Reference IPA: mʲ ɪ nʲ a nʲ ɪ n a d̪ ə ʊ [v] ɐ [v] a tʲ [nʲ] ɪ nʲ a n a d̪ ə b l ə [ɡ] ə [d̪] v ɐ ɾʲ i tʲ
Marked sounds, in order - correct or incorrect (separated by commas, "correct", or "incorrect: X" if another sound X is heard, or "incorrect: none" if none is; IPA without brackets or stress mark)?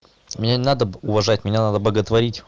correct, incorrect: ʐ, incorrect: mʲ, correct, incorrect: t̪